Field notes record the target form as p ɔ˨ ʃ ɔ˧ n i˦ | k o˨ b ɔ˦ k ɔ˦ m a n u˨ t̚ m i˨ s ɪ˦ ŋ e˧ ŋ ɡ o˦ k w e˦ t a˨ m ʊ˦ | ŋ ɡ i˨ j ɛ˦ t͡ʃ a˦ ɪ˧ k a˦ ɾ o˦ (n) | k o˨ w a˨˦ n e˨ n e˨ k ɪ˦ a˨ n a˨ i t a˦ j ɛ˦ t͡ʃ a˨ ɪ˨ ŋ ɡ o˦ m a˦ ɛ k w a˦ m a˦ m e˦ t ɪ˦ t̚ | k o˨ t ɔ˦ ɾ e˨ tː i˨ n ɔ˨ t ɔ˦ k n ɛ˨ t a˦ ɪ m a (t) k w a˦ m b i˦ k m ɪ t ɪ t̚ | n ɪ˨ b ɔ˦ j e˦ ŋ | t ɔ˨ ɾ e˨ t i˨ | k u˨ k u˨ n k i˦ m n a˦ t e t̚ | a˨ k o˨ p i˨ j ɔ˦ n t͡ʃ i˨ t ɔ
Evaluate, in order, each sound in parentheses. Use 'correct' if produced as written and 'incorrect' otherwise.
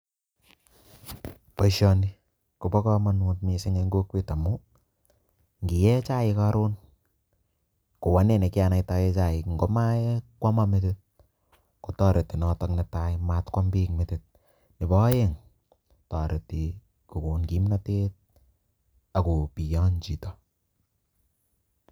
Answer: correct, correct

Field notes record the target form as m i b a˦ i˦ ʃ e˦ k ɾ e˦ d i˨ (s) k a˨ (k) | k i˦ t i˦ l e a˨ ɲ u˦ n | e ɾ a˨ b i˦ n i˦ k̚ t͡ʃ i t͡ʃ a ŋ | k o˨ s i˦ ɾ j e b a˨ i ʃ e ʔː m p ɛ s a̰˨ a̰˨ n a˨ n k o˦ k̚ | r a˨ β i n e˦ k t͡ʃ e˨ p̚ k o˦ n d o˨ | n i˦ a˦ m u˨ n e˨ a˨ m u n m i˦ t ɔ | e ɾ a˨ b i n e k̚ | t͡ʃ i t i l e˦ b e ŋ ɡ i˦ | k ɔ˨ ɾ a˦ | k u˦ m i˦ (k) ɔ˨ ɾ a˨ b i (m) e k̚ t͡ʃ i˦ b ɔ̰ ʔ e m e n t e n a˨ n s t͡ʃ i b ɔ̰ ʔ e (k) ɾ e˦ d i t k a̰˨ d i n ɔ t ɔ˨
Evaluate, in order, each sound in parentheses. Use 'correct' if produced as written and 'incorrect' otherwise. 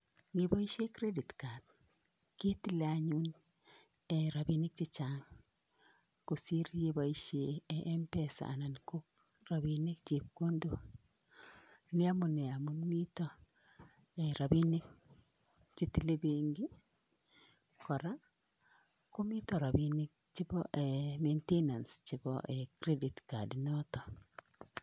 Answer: incorrect, incorrect, incorrect, incorrect, correct

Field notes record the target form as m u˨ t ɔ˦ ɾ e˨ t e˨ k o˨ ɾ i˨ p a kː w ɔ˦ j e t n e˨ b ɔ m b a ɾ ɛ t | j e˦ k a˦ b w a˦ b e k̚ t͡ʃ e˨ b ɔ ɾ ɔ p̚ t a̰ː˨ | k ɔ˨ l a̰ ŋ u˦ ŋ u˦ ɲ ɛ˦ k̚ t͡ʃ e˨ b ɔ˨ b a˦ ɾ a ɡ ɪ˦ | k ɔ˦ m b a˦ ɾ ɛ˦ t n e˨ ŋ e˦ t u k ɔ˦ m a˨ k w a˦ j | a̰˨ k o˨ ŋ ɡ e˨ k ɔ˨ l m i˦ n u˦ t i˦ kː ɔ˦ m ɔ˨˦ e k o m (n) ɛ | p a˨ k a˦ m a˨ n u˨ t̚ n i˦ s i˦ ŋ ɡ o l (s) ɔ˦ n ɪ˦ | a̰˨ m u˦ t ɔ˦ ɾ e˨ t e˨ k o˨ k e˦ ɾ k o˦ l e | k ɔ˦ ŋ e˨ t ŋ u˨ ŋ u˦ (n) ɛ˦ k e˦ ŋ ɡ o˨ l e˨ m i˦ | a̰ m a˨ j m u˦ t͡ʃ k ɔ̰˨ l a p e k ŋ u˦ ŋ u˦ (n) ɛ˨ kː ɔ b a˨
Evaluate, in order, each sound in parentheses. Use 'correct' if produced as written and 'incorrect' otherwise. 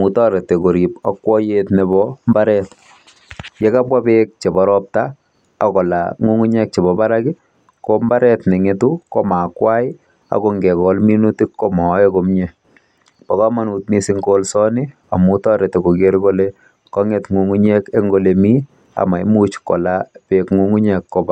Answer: incorrect, correct, incorrect, incorrect

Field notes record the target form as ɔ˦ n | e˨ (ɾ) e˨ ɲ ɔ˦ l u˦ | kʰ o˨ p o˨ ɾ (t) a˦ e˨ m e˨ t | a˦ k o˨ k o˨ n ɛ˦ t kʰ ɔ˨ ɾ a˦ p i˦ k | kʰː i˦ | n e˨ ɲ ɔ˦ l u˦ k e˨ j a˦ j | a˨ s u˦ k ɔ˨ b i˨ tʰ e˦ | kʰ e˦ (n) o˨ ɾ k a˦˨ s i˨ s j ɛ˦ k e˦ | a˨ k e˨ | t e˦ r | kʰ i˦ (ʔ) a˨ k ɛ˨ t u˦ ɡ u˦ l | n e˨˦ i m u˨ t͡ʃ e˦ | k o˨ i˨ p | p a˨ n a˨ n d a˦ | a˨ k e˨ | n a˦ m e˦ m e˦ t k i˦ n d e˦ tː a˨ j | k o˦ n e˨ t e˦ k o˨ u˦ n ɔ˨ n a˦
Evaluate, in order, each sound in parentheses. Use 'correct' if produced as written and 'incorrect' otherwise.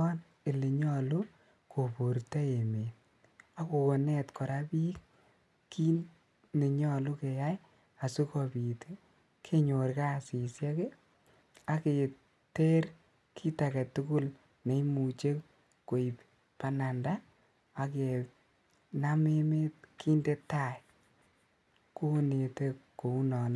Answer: incorrect, correct, incorrect, incorrect

